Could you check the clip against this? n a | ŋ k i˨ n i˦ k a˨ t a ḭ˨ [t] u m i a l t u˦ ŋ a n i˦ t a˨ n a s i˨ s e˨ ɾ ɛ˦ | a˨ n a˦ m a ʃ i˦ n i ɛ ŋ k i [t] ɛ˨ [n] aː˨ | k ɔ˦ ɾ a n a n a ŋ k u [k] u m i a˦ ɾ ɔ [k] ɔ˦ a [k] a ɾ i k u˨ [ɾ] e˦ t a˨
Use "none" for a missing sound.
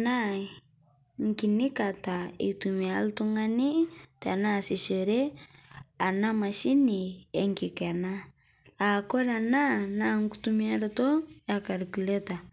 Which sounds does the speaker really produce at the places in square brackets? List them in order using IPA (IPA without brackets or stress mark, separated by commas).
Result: t, k, n, t, t, k, l